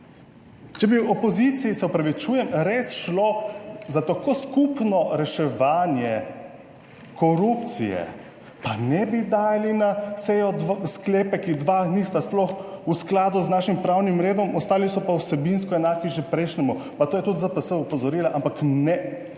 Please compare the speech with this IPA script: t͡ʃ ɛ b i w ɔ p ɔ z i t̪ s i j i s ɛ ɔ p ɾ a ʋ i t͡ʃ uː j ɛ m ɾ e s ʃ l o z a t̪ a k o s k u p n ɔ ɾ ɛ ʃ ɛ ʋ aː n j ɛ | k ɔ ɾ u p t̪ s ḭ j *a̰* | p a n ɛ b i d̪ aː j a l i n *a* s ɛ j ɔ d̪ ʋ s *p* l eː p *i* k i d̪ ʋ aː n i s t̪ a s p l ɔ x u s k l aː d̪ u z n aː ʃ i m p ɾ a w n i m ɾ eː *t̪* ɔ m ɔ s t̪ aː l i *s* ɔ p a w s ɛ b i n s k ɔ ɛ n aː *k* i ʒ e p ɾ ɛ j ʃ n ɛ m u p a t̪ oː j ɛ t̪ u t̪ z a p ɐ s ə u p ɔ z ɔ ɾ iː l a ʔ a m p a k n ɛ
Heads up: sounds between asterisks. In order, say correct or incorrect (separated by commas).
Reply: incorrect, correct, incorrect, incorrect, incorrect, correct, correct